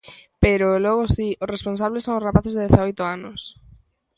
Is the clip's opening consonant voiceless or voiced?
voiceless